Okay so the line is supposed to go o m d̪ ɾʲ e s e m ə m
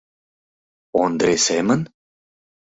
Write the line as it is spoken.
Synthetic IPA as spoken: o n d̪ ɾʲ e s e m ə n